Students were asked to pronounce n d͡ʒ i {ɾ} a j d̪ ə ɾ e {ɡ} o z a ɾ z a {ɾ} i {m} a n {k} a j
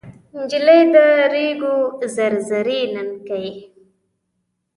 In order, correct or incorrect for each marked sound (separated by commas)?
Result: incorrect, correct, correct, incorrect, correct